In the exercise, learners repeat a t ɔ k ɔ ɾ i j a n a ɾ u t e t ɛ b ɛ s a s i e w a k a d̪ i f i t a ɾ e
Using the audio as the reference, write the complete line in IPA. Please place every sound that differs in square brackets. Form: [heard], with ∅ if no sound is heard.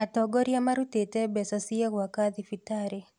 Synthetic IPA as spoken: a t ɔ [ɡ] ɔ ɾ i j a [m] a ɾ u t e t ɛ b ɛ s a s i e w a k a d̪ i f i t a ɾ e